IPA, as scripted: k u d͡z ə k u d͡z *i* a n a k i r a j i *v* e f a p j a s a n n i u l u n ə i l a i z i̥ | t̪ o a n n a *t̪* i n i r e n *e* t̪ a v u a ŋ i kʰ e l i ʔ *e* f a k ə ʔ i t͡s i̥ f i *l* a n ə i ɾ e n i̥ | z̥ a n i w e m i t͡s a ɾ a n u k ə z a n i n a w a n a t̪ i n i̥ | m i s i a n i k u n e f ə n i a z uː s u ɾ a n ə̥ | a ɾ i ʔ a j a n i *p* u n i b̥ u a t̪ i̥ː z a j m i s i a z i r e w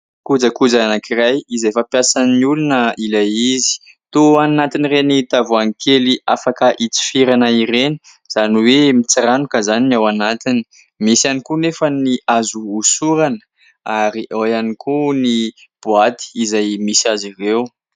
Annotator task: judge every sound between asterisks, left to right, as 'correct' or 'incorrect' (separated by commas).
incorrect, incorrect, correct, incorrect, incorrect, incorrect, incorrect